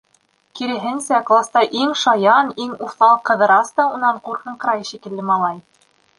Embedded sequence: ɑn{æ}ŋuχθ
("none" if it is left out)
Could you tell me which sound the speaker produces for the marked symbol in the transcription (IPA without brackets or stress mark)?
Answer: i